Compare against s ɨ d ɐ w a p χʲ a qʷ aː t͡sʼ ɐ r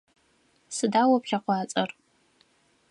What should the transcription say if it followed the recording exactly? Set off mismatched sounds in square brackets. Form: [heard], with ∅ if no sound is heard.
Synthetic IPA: s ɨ d [a] w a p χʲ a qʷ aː t͡sʼ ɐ r